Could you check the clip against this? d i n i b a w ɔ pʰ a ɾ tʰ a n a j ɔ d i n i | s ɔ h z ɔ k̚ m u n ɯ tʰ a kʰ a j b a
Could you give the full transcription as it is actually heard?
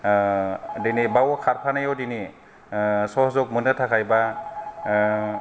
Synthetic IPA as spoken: d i n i b a w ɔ kʰ a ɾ pʰ a n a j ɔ d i n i | s ɔ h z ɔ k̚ m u n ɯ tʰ a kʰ a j b a